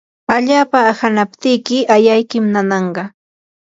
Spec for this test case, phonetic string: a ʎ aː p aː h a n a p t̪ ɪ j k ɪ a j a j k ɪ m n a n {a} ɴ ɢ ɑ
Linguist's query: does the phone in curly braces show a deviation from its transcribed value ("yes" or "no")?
yes